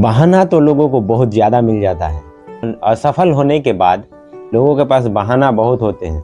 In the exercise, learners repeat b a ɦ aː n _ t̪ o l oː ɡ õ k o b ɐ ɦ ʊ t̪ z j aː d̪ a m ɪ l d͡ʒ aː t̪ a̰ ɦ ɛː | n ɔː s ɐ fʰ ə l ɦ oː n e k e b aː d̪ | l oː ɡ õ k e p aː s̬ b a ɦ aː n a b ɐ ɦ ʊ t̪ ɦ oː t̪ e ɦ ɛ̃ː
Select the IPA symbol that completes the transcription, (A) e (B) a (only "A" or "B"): B